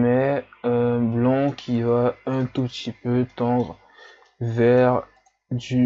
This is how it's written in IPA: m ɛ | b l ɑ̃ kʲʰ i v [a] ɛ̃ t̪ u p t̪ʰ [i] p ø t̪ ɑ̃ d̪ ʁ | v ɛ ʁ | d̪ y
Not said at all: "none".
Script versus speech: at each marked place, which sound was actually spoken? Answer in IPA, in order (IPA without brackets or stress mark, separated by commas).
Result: a, i